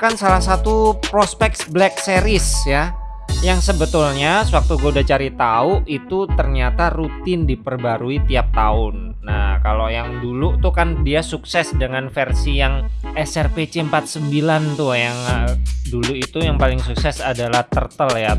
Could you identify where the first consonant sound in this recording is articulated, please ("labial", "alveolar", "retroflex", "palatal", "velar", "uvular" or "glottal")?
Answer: velar